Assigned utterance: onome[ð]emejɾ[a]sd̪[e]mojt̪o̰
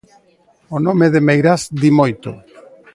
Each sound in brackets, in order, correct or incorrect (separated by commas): correct, correct, incorrect